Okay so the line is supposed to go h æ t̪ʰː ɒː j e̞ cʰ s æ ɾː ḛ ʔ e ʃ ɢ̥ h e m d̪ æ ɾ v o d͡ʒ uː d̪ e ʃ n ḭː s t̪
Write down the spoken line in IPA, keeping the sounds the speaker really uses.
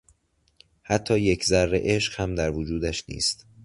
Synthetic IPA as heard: h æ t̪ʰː ɒː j e̞ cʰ z æ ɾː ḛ ʔ e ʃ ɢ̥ h æ m d̪ æ ɾ v o d͡ʒ uː d̪ æ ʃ n ḭː s t̪